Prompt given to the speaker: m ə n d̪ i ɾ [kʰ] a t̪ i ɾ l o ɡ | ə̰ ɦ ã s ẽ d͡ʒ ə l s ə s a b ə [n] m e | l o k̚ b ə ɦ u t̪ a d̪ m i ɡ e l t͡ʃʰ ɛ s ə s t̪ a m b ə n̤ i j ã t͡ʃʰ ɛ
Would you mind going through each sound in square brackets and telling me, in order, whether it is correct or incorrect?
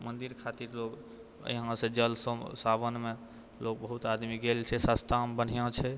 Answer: correct, correct

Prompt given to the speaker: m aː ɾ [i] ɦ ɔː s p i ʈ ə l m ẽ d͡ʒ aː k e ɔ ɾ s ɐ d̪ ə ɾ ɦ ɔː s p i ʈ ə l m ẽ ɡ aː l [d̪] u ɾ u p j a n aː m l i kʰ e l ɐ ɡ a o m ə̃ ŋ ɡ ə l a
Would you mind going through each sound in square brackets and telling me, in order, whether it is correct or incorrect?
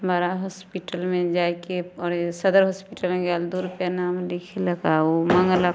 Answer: incorrect: a, correct

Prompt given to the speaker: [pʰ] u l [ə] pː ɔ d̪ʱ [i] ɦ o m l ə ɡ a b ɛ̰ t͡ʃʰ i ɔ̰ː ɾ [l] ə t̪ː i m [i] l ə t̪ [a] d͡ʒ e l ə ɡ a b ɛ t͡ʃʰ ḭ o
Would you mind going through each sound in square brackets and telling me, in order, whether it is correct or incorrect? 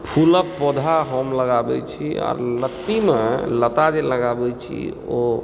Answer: correct, correct, incorrect: a, correct, incorrect: e, correct

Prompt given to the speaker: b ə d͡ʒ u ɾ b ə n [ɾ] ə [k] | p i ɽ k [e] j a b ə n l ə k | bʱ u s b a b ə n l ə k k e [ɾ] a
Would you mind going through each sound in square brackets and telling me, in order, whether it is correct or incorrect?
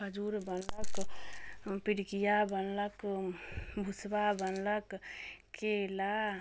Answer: incorrect: l, correct, incorrect: i, incorrect: l

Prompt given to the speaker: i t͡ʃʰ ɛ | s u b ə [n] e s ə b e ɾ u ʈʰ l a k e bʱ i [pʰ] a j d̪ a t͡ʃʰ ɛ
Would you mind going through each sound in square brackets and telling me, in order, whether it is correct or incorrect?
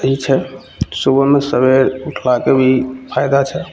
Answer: incorrect: m, correct

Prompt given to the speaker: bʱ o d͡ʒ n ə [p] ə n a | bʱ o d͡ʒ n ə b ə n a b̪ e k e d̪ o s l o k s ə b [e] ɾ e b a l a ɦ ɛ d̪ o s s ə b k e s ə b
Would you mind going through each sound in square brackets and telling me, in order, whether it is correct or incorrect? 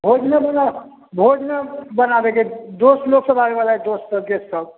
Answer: incorrect: b, incorrect: a

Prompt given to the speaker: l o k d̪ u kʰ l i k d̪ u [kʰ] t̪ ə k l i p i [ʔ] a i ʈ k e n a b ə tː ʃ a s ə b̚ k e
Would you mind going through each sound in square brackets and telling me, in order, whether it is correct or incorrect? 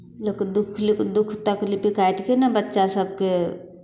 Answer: correct, incorrect: k

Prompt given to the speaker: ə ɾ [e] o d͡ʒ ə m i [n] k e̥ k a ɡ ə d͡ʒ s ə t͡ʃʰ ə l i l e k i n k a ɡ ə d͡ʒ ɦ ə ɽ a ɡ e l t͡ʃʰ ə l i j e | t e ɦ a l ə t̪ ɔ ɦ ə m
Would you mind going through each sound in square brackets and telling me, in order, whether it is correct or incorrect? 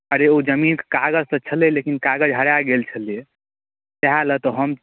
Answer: correct, correct

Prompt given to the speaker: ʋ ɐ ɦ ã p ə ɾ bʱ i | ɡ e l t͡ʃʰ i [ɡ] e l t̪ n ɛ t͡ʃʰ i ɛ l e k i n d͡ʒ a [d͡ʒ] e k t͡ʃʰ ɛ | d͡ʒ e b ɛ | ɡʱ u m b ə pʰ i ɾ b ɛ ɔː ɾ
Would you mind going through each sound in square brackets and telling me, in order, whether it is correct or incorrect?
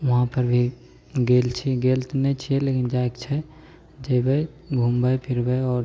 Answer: correct, incorrect: none

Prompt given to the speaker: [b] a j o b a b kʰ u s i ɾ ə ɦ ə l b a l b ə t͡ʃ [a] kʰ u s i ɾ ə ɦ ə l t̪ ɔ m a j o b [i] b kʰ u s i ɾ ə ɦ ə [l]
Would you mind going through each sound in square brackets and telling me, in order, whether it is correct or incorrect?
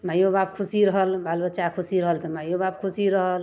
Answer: incorrect: m, correct, incorrect: a, correct

